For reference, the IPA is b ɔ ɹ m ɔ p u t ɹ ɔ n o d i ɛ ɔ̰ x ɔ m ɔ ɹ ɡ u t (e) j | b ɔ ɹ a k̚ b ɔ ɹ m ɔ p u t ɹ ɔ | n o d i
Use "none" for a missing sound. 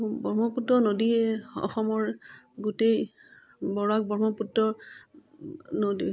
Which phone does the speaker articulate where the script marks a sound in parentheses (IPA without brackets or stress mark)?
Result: e